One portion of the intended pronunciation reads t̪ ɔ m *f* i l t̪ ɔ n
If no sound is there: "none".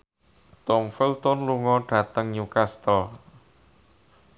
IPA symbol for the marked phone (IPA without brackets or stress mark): f